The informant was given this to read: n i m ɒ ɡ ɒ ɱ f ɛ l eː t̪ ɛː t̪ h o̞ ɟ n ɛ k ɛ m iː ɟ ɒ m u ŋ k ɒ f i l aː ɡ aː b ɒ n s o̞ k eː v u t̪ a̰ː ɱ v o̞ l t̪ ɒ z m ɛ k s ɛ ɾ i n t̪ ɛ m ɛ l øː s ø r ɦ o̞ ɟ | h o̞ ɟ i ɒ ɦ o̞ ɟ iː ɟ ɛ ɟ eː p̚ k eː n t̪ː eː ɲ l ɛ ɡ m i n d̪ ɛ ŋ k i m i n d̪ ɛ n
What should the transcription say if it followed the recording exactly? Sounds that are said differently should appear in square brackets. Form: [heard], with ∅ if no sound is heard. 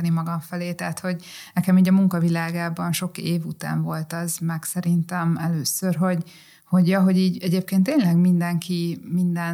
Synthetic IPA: n i m ɒ ɡ ɒ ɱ f ɛ l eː t̪ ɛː t̪ h o̞ ɟ n ɛ k ɛ m iː ɟ ɒ m u ŋ k ɒ [v] i l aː ɡ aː b ɒ n [ʃ] o̞ k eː v u t̪ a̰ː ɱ v o̞ l t̪ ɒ z m ɛ k s ɛ ɾ i n t̪ ɛ m ɛ l øː s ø r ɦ o̞ ɟ | h o̞ ɟ [j] ɒ ɦ o̞ ɟ iː ɟ ɛ ɟ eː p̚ k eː n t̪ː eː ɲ l ɛ ɡ m i n d̪ ɛ ŋ k i m i n d̪ ɛ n